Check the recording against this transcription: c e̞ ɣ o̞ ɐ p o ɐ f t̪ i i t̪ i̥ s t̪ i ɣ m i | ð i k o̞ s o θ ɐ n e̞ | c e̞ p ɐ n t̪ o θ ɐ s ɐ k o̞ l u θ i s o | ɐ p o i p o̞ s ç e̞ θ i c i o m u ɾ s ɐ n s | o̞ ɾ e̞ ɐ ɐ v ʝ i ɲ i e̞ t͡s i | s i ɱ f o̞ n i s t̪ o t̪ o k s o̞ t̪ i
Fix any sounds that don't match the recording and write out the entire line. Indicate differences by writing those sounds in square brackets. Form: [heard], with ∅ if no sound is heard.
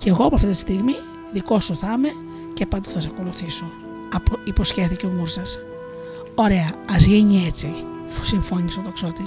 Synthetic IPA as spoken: c e̞ ɣ o̞ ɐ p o ɐ f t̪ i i t̪ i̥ s t̪ i ɣ m i | ð i k o̞ s o θ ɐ [m] e̞ | c e̞ p ɐ n [d̪] o θ ɐ s ɐ k o̞ l u θ i s o | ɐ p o i p o̞ s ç e̞ θ i c [e] o m u ɾ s ɐ [∅] s | o̞ ɾ e̞ ɐ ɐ [z] ʝ i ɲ i e̞ t͡s i | s i ɱ f o̞ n i s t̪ o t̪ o k s o̞ t̪ i